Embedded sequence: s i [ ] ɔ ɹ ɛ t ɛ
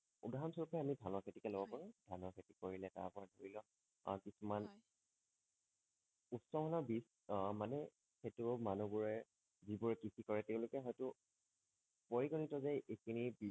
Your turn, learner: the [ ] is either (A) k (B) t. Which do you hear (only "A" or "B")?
A